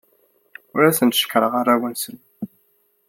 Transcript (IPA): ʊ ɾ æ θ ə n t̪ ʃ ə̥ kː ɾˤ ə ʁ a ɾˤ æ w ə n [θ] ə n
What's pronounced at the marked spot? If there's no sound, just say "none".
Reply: s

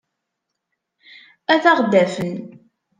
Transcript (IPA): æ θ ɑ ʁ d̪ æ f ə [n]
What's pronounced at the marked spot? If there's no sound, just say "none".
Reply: n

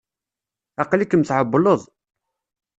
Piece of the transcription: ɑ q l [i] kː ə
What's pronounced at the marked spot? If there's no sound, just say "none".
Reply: i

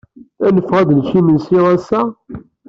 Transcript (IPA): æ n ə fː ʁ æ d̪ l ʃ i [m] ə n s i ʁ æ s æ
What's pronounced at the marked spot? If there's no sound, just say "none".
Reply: m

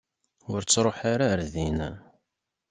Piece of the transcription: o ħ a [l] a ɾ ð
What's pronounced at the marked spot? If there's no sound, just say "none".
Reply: ɾ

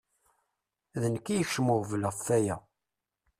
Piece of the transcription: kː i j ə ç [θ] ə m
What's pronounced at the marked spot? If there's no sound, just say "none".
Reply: ʃ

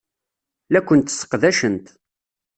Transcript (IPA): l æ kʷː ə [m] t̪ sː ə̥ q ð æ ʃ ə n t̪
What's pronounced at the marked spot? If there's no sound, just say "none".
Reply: n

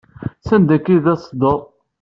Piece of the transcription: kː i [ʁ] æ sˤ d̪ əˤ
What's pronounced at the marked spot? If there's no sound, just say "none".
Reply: ð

